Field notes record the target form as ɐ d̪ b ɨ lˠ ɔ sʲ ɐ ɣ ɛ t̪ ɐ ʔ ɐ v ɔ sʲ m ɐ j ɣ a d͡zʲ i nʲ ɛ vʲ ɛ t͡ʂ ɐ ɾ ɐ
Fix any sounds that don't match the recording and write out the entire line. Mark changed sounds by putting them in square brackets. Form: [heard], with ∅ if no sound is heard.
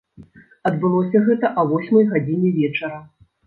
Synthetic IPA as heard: ɐ d̪ b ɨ lˠ ɔ sʲ ɐ ɣ ɛ t̪ ɐ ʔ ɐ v ɔ sʲ m ɐ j ɣ a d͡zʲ i nʲ ɛ vʲ ɛ t͡ʂ ɐ ɾ ɐ